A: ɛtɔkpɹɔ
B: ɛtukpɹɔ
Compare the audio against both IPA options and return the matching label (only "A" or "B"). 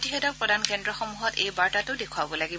A